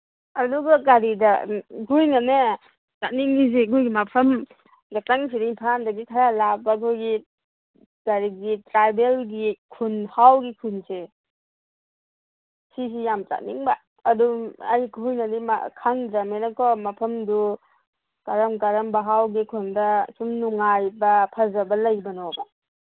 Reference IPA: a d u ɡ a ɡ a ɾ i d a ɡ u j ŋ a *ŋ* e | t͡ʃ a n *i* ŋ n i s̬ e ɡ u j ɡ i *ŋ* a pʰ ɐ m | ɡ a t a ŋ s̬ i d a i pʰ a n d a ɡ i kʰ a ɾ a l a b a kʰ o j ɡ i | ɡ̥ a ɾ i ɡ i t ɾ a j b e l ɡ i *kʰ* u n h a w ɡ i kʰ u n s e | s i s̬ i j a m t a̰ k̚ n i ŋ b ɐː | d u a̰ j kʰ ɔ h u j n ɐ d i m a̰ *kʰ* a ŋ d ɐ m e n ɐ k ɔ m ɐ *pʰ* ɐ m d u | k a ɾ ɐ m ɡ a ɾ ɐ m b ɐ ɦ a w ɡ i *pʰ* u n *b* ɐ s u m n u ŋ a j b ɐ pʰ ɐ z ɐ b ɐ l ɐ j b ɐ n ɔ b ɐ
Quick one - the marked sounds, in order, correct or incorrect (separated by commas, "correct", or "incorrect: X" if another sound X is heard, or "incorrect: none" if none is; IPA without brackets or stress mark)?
incorrect: n, correct, incorrect: m, correct, correct, correct, incorrect: kʰ, incorrect: d